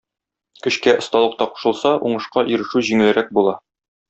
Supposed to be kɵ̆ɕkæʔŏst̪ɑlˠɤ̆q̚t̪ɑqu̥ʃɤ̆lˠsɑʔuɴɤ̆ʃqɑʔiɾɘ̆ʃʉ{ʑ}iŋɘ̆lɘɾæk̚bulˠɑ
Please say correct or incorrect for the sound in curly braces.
correct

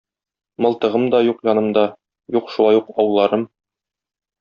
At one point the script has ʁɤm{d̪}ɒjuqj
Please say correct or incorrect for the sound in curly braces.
correct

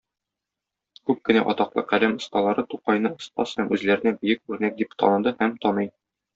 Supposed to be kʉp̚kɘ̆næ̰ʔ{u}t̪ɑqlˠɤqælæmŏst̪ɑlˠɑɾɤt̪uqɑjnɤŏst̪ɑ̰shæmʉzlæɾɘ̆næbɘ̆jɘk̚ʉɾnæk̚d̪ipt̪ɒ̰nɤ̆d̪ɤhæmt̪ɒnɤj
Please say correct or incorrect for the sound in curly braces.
incorrect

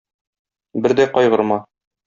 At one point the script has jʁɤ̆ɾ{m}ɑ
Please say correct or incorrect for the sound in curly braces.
correct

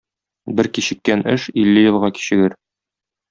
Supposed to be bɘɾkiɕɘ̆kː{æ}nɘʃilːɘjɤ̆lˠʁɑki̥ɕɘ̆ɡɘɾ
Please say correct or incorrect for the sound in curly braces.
correct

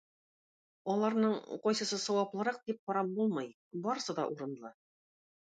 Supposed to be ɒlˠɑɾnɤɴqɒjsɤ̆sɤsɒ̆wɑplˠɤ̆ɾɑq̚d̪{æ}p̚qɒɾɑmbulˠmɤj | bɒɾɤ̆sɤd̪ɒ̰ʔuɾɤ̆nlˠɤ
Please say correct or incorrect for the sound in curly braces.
incorrect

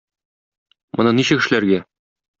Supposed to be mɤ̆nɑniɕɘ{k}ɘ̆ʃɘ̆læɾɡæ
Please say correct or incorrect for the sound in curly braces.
correct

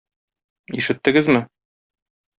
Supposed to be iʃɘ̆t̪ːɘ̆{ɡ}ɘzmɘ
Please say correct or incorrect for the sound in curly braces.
correct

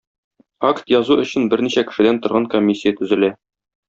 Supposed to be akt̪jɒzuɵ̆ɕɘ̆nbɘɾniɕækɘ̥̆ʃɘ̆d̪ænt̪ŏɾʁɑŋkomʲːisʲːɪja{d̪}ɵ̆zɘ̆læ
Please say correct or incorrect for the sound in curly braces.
incorrect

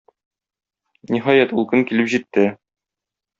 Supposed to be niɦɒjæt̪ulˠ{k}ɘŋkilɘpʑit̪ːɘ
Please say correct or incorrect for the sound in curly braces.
correct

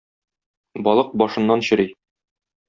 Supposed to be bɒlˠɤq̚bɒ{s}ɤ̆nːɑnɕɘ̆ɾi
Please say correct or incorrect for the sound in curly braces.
incorrect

